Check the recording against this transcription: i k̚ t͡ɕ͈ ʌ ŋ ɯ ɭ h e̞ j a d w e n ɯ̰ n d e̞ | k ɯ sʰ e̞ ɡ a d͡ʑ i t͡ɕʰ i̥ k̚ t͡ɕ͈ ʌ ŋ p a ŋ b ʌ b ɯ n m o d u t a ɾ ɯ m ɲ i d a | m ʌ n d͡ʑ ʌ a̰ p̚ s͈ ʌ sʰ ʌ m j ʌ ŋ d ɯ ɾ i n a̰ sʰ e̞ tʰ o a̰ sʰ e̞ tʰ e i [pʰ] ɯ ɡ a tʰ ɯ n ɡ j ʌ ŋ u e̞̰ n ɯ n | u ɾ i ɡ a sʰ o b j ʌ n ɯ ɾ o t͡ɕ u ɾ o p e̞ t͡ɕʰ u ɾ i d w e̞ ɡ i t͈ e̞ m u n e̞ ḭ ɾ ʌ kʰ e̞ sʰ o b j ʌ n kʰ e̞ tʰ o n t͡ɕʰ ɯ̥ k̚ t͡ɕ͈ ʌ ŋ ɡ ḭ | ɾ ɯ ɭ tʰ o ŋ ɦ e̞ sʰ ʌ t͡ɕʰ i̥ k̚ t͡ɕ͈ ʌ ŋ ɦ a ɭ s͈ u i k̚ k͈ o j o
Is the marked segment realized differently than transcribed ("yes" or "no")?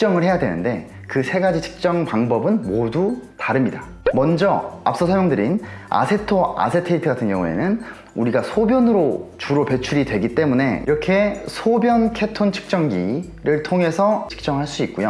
yes